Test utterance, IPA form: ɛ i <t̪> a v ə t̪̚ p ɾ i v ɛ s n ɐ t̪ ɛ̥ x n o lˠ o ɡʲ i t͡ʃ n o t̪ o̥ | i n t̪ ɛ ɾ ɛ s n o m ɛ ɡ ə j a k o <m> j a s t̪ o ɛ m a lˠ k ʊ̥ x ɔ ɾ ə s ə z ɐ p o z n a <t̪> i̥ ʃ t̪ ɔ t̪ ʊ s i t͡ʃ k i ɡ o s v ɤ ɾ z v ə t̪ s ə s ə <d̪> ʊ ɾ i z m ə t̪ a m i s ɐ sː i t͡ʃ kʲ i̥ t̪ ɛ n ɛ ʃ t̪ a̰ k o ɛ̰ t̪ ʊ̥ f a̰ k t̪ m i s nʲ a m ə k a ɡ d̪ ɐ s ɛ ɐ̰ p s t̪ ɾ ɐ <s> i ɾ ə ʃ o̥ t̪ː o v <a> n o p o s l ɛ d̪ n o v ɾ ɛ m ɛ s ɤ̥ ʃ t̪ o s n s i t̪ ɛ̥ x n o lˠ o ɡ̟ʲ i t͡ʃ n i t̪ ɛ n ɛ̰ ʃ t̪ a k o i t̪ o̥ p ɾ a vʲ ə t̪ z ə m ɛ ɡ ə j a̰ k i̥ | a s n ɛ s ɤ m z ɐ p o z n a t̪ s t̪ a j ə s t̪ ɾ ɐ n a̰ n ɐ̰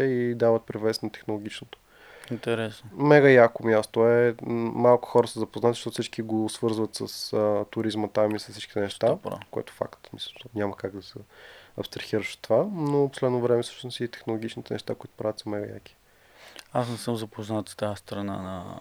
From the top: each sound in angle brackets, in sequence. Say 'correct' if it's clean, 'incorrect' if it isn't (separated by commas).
incorrect, correct, correct, incorrect, incorrect, correct